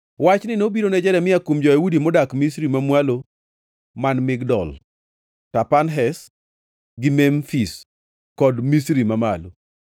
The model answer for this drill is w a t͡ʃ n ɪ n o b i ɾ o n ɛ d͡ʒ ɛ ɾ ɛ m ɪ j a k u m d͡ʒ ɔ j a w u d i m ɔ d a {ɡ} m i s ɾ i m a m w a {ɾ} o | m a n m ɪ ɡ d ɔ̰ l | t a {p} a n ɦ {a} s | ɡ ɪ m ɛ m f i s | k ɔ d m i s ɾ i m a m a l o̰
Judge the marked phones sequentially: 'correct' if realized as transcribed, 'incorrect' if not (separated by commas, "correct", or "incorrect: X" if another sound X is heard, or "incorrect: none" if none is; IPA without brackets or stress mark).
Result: incorrect: k, incorrect: l, correct, incorrect: ɛ